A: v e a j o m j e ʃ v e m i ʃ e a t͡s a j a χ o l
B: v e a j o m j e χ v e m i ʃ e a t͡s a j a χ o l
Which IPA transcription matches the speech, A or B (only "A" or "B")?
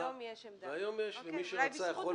A